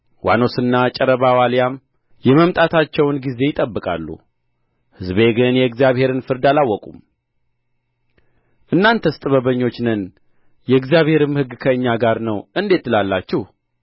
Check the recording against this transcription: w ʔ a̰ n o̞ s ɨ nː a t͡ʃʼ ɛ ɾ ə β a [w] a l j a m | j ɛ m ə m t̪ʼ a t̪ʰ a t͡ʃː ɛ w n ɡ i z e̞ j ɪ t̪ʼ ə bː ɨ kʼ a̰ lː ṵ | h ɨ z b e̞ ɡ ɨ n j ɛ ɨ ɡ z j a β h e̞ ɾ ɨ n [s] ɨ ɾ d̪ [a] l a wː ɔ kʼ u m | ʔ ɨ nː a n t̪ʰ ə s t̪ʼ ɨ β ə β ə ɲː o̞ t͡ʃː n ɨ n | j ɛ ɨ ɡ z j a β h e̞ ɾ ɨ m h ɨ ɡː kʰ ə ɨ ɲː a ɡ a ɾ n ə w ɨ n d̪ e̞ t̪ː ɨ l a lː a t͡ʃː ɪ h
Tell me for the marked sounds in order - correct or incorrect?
correct, incorrect: f, correct

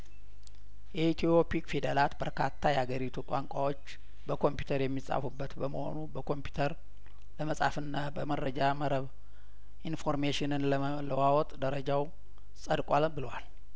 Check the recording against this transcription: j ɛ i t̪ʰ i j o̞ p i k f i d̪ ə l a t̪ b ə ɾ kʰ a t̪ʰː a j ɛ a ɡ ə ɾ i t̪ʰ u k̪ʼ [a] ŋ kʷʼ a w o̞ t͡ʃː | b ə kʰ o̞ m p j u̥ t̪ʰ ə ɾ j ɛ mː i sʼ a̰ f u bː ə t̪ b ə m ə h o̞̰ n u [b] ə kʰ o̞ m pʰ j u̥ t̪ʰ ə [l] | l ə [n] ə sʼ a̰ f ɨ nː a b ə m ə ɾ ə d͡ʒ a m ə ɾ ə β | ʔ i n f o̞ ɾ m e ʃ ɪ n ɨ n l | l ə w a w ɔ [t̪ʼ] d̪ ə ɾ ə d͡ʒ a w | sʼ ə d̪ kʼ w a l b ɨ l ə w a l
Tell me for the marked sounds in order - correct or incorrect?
correct, correct, incorrect: ɾ, incorrect: m, correct

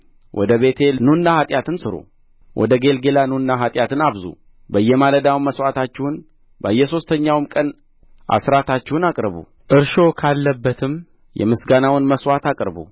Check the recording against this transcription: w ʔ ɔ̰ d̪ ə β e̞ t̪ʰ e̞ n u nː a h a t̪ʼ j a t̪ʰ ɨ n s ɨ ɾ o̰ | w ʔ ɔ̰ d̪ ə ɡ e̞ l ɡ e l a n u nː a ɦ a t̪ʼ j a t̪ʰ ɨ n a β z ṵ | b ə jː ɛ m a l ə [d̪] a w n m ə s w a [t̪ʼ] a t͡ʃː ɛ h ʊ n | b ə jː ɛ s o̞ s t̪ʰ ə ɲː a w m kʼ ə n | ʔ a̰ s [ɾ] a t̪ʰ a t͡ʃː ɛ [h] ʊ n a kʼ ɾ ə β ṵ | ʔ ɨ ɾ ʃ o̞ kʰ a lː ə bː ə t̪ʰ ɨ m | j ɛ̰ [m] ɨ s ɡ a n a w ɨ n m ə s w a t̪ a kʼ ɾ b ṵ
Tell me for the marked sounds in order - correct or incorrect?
correct, incorrect: t̪, correct, correct, correct

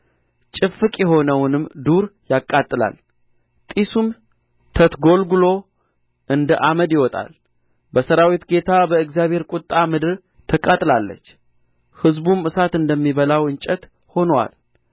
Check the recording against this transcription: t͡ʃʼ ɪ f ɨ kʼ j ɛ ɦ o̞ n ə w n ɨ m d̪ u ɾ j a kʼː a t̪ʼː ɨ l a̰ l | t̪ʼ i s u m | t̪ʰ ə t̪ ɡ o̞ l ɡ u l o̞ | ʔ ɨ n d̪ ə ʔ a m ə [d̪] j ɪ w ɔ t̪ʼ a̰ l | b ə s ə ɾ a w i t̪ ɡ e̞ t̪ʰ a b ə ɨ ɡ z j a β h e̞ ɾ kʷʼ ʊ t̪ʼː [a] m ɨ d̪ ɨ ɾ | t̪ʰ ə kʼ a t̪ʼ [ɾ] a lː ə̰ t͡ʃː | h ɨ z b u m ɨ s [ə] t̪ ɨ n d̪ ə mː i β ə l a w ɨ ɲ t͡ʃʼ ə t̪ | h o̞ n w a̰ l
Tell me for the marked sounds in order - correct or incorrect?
correct, correct, incorrect: l, incorrect: a

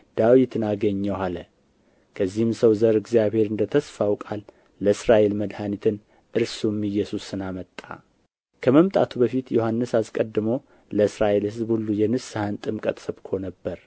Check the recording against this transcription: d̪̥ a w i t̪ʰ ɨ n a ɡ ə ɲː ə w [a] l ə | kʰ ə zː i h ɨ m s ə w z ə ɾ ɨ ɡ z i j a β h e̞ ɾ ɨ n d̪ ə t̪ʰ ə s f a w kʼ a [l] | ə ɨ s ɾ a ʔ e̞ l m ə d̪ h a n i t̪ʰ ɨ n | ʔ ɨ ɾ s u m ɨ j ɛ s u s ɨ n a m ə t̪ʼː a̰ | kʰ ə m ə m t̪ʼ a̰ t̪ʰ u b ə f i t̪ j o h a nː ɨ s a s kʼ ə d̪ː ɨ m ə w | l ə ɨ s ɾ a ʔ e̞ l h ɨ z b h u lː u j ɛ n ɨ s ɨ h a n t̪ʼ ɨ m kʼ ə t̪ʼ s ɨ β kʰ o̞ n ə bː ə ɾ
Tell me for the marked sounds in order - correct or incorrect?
correct, incorrect: lː

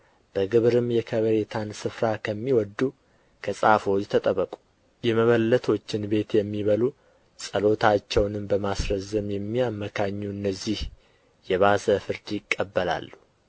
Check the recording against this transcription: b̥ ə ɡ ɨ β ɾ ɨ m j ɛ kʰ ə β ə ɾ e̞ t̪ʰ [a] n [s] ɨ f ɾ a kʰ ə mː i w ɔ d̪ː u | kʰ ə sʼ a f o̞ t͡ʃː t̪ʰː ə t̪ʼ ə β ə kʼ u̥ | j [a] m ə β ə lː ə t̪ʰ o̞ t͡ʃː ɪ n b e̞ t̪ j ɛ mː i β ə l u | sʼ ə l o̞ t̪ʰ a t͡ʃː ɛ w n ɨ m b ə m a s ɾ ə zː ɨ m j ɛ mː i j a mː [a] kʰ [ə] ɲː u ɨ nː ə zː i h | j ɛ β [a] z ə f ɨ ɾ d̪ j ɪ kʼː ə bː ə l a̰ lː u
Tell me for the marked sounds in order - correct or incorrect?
correct, correct, incorrect: ɛ, incorrect: ə, incorrect: a, correct

